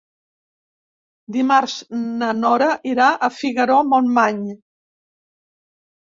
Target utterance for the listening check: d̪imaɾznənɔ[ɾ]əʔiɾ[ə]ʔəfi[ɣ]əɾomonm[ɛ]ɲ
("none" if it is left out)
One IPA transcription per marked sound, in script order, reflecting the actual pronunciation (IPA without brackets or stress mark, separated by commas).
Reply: ɾ, a, ɣ, a